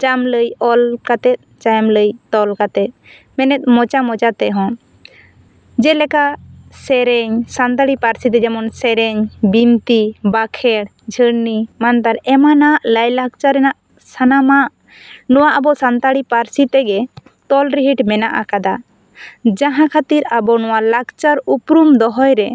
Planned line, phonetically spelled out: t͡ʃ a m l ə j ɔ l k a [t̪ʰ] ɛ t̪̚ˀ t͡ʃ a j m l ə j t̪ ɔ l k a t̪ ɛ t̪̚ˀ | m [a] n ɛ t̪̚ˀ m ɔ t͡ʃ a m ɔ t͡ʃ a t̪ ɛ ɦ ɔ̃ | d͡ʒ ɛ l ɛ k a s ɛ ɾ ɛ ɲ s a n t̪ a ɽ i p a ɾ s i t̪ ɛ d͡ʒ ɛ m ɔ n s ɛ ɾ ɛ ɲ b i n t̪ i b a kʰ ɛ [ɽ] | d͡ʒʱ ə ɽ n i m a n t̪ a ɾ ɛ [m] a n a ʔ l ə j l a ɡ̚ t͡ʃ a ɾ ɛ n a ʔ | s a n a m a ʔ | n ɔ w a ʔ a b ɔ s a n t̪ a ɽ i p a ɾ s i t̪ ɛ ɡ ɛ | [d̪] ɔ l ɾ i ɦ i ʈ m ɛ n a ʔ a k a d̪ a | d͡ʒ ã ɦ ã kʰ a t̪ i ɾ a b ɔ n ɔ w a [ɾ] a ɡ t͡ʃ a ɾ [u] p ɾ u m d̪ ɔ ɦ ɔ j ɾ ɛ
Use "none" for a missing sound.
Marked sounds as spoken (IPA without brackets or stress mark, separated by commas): t̪, ɛ, ɽ, m, t̪, l, u